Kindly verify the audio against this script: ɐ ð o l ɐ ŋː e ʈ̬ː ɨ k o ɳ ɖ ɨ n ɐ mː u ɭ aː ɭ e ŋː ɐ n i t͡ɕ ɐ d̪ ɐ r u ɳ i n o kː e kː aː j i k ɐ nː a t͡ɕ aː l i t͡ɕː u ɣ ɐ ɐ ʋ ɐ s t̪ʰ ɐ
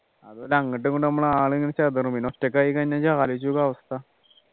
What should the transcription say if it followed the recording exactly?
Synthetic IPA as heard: ɐ ð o l ɐ ŋː i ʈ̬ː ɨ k o ɳ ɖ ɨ n ɐ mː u ɭ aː ɭ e ŋː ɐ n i t͡ɕ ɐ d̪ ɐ r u m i n o tː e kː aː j i k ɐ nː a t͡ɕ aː l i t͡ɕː u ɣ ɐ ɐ ʋ ɐ s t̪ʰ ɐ